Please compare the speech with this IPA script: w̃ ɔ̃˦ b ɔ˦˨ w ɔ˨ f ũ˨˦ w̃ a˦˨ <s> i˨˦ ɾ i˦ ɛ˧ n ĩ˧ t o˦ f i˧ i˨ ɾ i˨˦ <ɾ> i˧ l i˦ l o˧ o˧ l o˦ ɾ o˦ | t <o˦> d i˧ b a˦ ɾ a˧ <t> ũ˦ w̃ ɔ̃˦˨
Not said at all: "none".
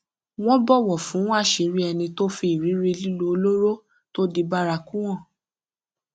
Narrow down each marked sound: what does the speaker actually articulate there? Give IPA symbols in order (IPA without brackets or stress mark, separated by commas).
ʃ, ɾ, o˦, k